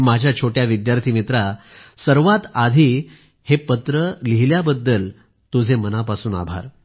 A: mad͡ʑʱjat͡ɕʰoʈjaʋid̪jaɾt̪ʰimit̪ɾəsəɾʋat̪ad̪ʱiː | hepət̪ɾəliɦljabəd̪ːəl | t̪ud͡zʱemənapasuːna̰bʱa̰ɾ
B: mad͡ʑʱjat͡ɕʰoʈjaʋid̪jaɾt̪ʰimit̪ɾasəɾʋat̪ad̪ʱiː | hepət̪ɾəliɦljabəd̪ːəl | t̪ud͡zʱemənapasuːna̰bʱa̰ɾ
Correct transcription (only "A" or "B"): B